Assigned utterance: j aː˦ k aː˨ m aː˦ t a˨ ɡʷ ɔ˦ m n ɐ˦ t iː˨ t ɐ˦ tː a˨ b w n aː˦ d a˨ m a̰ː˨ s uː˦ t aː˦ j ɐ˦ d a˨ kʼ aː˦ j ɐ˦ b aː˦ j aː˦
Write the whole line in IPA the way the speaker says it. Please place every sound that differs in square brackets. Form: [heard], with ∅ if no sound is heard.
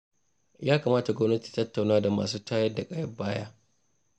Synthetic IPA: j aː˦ k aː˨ m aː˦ t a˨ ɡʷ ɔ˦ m n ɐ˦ t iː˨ t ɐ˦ tː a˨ [∅] w n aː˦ d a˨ m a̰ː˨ s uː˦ t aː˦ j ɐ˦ d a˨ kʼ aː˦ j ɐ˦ b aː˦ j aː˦